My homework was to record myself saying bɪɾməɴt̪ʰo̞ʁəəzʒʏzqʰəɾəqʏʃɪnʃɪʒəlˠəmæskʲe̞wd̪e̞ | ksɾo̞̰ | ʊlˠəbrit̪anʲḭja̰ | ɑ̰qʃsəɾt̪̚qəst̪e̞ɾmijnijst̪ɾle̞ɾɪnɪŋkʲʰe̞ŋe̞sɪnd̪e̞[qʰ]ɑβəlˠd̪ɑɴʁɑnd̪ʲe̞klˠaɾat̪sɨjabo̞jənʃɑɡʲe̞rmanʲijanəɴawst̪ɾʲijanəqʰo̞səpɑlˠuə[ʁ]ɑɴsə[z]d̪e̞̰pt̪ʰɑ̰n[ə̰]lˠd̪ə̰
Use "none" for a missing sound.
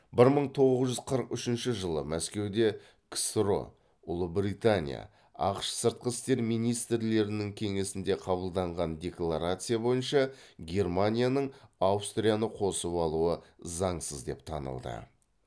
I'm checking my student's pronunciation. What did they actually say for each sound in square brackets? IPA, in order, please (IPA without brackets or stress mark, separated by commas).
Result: qʰ, z, z, ə̰